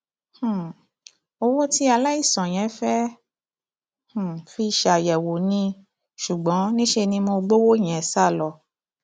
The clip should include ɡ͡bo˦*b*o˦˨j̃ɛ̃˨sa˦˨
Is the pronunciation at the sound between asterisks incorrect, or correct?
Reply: incorrect